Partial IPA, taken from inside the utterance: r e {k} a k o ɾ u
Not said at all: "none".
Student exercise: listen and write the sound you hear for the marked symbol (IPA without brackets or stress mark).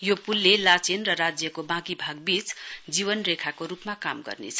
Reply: kʰ